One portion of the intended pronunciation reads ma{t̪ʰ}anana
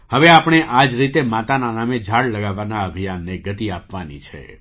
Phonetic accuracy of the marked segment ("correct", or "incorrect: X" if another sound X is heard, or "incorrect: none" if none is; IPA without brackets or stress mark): incorrect: t̪